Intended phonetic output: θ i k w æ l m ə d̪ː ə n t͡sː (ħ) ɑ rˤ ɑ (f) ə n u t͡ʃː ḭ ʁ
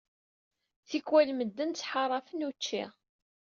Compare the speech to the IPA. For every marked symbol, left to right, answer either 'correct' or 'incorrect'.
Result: correct, correct

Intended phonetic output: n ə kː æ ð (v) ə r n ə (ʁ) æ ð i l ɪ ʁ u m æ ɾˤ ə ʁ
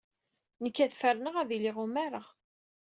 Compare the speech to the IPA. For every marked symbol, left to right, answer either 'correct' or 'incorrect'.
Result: incorrect, correct

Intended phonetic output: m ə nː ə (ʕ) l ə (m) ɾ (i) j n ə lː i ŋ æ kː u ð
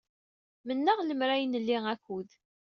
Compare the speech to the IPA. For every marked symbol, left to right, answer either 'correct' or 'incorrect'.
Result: incorrect, correct, incorrect

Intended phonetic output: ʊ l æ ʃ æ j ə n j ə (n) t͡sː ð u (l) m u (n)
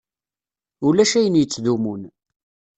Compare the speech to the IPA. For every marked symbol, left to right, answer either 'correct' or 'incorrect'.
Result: incorrect, incorrect, correct

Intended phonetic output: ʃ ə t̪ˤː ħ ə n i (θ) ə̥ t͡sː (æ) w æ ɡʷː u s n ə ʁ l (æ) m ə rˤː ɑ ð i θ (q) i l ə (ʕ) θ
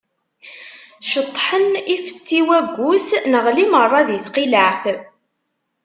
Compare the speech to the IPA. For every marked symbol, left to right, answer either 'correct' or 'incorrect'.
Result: incorrect, incorrect, incorrect, correct, correct

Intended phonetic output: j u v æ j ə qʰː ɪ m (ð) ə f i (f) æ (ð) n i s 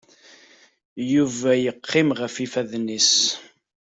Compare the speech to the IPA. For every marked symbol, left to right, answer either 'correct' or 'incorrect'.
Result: incorrect, correct, correct

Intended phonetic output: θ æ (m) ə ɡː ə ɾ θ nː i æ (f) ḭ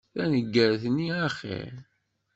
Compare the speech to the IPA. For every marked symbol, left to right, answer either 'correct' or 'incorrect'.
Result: incorrect, incorrect

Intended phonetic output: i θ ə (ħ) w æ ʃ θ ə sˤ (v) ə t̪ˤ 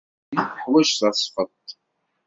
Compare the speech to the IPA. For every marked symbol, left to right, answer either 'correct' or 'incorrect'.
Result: correct, incorrect

